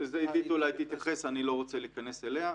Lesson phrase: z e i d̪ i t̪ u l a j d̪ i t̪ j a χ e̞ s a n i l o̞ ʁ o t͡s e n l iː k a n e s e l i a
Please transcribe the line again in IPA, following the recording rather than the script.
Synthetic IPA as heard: z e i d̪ i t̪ u l a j t̪ i t̪ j a χ e̞ s a n i l o̞ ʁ o t͡s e l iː k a n e s e l e a